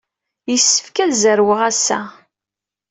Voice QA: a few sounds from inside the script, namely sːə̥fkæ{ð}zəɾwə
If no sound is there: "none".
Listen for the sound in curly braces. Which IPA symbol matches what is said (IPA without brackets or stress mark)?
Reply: ð